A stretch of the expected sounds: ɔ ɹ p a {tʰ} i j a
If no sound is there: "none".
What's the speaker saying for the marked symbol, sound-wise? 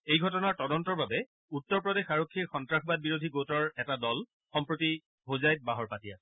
t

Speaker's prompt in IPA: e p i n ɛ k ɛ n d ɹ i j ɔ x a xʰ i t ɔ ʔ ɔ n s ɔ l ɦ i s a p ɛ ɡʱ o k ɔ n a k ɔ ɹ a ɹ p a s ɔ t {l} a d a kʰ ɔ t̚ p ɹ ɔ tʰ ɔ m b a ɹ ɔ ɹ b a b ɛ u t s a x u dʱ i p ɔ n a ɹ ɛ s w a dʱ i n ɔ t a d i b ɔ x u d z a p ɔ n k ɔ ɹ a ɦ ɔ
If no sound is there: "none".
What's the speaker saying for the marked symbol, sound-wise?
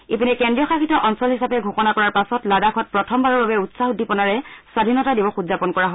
l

